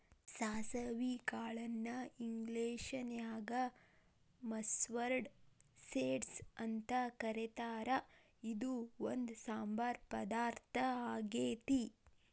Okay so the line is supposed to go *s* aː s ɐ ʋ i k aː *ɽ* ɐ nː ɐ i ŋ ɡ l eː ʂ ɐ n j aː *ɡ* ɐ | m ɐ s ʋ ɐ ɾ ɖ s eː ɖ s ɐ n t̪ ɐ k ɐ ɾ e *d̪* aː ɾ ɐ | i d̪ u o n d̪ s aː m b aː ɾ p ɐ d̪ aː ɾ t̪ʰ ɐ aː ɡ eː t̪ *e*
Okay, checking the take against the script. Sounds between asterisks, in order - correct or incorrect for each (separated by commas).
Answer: correct, incorrect, correct, incorrect, incorrect